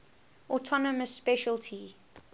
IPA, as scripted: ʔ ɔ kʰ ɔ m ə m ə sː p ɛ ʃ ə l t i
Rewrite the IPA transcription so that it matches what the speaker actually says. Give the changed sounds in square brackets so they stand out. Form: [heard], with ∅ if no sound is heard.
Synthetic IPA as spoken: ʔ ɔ [tʰ] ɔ [n] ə m ə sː p ɛ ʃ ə l [tʰ] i